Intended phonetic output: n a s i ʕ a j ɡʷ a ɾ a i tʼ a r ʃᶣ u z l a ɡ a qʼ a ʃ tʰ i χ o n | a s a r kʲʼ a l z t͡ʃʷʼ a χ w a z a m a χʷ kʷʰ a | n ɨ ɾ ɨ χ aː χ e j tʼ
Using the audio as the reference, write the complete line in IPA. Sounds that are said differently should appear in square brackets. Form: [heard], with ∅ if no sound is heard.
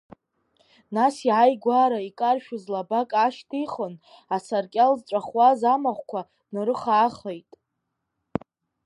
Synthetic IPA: n a s i ʕ a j ɡʷ a ɾ a i [kʼ] a r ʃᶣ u z l a [b] a [kʼ] a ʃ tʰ i χ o n | a s a r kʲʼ a l z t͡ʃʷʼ a χ w a z a m a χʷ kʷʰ a | n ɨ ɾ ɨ χ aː χ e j tʼ